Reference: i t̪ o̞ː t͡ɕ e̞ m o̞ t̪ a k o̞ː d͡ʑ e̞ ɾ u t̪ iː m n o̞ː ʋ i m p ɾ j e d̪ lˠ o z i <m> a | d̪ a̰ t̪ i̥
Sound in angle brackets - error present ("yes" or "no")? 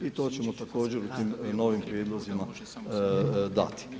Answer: no